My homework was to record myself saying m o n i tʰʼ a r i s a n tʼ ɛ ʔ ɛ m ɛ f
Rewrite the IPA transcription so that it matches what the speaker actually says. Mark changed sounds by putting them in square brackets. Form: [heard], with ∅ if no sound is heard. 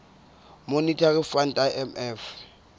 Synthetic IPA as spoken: m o n i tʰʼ a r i [f] a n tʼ [a] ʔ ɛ m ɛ f